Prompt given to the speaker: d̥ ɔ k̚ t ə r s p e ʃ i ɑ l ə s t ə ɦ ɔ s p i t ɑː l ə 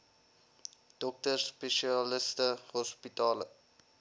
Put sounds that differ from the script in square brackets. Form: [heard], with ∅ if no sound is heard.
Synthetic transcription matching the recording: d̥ ɔ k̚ t ə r s p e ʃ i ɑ l ə s t ə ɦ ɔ s p i t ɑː l ə